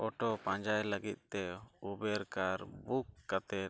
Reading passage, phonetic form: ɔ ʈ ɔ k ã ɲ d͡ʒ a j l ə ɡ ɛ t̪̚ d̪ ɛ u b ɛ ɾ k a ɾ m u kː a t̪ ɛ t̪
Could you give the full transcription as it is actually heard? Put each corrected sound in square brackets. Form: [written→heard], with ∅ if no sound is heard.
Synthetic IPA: ɔ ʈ ɔ [k→p] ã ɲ d͡ʒ a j l ə ɡ [ɛ→i] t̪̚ [d̪→t̪] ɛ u b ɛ ɾ k a ɾ [m→b] u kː a t̪ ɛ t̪